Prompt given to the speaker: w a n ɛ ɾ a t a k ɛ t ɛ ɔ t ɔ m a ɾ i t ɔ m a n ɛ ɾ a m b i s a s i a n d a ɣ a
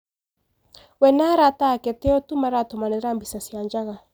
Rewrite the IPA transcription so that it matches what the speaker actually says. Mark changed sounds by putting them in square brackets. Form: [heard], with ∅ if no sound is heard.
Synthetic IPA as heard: w [ɛ] n [a] ɾ a t a k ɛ t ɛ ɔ t [u] m a ɾ [a] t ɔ m a n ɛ ɾ a m b i s a s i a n [d͡ʒ] a ɣ a